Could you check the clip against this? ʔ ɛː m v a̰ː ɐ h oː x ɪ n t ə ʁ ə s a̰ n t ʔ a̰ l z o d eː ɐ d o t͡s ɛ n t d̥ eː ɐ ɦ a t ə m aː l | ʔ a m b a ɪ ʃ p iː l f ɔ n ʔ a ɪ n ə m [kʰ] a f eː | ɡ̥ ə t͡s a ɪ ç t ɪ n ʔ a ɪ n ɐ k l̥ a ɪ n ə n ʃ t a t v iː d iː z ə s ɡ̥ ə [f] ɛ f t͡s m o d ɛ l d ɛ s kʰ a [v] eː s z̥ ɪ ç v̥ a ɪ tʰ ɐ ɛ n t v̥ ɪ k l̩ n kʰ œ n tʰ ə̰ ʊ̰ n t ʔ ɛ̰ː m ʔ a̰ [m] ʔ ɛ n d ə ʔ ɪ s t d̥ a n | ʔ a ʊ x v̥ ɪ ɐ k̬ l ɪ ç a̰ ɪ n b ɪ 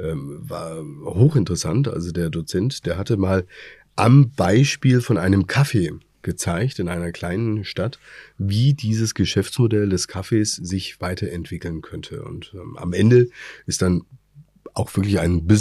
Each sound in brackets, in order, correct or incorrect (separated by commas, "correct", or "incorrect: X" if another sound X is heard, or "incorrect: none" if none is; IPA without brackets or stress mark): correct, incorrect: ʃ, incorrect: f, correct